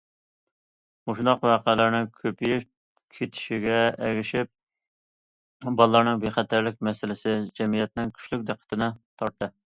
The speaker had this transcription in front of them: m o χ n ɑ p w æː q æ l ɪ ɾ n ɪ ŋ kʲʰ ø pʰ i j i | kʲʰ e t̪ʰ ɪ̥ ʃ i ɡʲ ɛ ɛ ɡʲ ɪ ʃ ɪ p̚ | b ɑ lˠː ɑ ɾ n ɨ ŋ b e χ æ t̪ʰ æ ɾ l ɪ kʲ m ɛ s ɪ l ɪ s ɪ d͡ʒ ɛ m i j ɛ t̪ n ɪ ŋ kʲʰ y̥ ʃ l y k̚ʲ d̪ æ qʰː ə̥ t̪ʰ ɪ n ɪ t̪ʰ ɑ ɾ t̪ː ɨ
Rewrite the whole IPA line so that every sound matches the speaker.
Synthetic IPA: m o ʃ n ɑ q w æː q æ l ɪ ɾ n ɪ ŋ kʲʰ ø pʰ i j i | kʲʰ e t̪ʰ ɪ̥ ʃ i ɡʲ ɛ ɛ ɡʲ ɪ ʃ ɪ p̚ | b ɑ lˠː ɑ ɾ n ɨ ŋ b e χ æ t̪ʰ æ ɾ l ɪ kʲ m ɛ s ɪ l ɪ s ɪ d͡ʒ ɛ m i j ɛ t̪ n ɪ ŋ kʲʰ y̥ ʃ l y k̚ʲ d̪ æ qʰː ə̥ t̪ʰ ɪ n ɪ t̪ʰ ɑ ɾ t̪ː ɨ